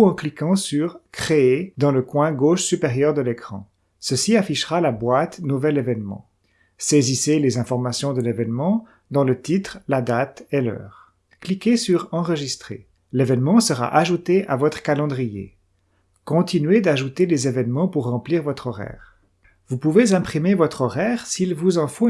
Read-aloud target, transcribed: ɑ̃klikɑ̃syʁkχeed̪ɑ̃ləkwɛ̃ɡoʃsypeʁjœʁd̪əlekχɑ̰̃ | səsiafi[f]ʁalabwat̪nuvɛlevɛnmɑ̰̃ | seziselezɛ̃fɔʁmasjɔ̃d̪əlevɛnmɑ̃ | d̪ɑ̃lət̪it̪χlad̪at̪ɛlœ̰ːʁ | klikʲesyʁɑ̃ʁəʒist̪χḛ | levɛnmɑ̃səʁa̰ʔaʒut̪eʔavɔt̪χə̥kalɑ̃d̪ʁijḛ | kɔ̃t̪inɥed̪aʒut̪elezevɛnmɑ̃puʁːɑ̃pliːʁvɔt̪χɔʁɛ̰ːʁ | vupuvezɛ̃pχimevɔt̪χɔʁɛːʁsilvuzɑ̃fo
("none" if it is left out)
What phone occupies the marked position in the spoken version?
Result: ʃ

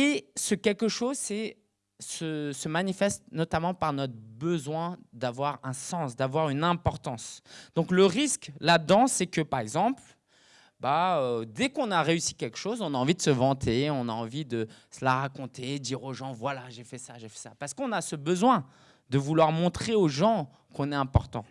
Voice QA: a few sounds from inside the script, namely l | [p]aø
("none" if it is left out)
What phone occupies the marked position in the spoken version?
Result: b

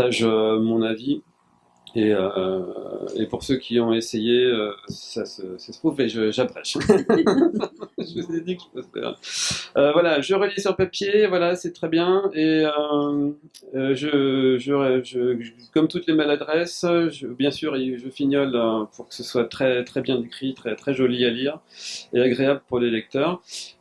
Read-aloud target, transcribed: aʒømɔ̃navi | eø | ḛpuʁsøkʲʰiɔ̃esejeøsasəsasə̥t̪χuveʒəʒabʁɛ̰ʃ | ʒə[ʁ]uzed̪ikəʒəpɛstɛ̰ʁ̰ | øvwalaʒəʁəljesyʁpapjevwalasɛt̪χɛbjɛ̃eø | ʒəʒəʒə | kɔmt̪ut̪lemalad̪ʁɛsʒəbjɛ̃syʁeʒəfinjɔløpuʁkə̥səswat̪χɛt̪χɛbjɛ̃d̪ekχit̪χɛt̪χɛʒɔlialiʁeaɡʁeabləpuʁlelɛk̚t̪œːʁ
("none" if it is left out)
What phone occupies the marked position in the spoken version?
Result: v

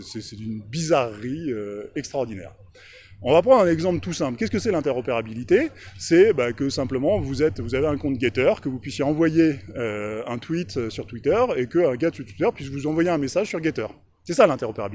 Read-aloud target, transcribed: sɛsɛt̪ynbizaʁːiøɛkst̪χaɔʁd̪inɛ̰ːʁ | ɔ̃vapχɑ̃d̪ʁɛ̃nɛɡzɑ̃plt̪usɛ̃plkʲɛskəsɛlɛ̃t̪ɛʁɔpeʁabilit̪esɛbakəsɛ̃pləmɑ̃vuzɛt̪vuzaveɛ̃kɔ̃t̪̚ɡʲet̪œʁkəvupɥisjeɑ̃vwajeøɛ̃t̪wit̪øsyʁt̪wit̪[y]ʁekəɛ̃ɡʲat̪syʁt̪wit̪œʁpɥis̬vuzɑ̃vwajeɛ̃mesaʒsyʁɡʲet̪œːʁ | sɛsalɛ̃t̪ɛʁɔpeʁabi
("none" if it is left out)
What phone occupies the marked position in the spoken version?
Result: œ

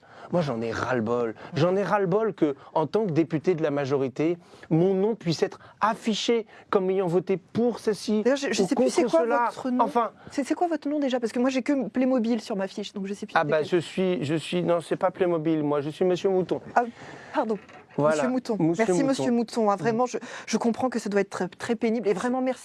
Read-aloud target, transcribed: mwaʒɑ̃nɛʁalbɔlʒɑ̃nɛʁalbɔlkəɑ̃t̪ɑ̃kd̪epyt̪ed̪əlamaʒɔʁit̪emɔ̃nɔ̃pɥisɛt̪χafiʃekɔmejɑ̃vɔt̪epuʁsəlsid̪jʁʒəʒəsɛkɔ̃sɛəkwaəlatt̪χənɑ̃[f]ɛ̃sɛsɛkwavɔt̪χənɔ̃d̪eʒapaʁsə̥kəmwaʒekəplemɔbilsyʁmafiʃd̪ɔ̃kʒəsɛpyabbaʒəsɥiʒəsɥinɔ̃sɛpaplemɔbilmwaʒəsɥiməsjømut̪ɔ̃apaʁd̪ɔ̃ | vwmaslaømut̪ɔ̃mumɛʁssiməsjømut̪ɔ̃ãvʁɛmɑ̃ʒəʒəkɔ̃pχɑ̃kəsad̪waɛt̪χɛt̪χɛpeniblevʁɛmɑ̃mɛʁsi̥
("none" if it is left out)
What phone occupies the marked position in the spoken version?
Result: f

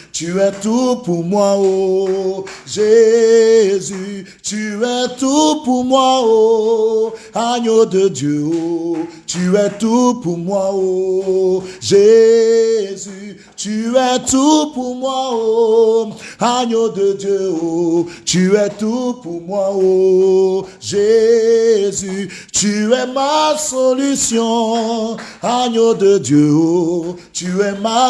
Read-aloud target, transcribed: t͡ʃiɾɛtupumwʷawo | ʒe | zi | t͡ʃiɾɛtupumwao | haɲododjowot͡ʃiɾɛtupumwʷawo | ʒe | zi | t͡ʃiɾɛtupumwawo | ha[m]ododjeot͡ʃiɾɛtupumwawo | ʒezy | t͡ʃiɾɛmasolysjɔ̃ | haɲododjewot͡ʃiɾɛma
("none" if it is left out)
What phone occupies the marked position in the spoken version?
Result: ɲ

